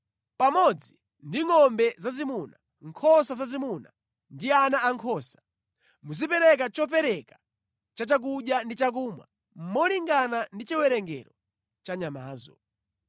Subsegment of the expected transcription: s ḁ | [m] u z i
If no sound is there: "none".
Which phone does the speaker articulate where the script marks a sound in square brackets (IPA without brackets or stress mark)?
m